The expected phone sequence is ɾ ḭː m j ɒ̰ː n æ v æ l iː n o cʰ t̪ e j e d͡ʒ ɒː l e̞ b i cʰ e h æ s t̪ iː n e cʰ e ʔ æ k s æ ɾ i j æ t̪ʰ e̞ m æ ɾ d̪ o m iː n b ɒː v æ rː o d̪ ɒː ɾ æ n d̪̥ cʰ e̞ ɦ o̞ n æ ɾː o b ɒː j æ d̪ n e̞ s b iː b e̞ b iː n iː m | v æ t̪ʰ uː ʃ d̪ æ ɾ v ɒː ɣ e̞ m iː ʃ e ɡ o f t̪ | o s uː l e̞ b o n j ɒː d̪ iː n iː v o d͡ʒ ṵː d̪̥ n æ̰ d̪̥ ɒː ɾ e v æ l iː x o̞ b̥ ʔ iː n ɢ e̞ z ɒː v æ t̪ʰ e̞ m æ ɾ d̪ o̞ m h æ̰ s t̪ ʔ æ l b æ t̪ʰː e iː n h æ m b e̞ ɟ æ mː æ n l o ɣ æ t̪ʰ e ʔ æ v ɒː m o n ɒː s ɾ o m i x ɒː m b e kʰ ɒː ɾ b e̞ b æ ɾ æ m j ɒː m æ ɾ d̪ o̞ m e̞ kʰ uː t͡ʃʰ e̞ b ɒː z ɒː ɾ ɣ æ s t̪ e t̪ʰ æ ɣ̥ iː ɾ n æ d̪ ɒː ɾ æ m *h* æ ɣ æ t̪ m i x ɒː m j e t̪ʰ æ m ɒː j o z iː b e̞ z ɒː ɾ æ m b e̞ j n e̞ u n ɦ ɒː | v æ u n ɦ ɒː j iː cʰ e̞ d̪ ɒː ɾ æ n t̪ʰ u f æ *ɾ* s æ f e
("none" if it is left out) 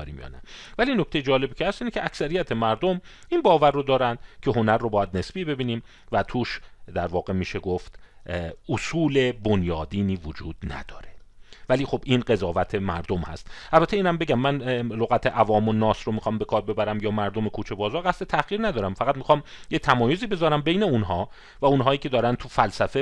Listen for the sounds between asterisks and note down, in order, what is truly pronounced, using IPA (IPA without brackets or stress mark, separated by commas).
f, l